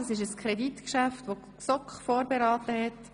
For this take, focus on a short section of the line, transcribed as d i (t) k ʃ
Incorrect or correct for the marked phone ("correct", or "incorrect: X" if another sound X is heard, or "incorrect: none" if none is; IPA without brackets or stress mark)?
correct